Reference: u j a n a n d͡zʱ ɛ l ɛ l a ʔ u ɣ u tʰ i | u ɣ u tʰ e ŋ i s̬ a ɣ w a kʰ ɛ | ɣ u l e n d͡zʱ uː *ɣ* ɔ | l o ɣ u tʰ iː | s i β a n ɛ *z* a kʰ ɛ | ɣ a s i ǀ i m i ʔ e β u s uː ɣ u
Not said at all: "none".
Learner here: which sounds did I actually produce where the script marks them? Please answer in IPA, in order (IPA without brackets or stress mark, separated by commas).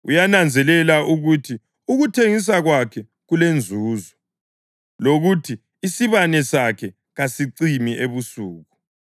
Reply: z, s